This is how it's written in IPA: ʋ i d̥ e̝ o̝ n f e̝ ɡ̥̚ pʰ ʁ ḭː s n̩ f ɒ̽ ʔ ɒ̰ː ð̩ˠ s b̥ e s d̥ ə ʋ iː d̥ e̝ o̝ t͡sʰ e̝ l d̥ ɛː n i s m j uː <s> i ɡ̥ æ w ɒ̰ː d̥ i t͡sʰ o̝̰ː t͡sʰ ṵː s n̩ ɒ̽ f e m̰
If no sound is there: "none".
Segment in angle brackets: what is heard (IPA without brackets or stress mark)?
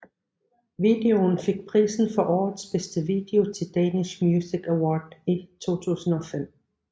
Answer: s